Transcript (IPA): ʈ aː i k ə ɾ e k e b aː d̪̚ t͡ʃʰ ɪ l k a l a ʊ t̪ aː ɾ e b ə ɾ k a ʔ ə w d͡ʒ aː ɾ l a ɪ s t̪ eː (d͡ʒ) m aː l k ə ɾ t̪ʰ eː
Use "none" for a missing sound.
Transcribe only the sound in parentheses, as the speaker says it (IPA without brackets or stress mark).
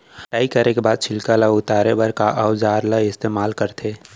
none